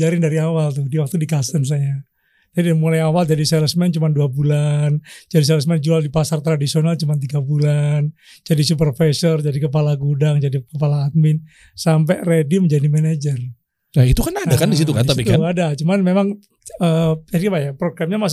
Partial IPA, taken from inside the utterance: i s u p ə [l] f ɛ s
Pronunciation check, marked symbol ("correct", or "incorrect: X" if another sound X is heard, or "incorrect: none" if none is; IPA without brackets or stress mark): incorrect: r